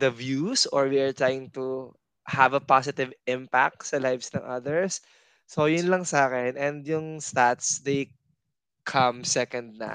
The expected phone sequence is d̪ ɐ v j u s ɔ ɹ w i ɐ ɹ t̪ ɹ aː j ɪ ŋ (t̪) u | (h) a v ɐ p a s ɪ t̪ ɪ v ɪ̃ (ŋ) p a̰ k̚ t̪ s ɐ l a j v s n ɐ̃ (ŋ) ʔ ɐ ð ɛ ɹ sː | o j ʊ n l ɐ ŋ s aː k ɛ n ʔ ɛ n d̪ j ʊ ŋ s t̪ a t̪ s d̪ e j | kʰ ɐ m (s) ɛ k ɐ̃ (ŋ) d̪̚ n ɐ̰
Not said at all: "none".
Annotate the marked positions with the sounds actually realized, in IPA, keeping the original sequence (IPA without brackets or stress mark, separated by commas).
t̪, h, m, ŋ, s, n